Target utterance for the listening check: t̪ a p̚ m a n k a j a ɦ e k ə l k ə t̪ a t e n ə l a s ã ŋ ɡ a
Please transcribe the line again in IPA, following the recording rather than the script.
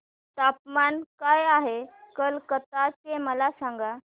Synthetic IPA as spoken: t̪ a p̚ m a n k a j a ɦ e k ə l k ə t̪ a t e m ə l a s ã ŋ ɡ a